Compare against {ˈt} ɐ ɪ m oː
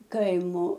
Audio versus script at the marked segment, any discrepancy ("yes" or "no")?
yes